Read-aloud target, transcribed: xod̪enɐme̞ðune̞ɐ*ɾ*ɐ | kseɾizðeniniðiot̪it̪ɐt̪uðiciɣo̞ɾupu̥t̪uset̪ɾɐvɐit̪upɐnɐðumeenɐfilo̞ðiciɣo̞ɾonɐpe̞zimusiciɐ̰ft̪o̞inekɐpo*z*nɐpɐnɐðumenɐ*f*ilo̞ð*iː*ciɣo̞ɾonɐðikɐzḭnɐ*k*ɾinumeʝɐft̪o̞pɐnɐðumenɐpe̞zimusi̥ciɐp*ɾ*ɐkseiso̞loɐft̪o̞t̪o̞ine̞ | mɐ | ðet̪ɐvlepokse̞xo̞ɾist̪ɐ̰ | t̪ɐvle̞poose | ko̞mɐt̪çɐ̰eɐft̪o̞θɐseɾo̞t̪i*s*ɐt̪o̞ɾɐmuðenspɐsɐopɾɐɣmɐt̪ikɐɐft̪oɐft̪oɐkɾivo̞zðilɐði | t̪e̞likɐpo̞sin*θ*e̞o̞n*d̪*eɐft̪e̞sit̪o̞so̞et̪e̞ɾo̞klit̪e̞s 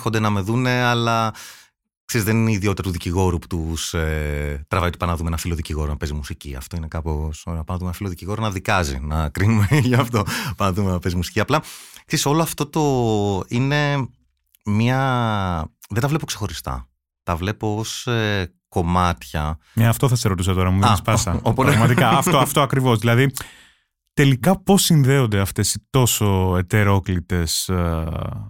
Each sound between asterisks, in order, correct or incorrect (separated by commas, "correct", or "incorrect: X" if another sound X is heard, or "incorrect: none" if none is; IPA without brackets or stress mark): incorrect: l, incorrect: s, correct, incorrect: i, correct, incorrect: l, correct, incorrect: ð, correct